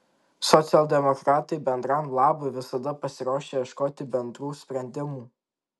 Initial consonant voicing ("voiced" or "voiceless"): voiceless